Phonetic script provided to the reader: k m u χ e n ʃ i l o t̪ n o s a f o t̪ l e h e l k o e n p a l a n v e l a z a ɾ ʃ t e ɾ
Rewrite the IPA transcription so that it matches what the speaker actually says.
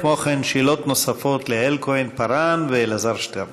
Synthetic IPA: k m o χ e n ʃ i l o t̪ n o s a f o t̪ l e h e l k o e n p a ɾ a n v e l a z a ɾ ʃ t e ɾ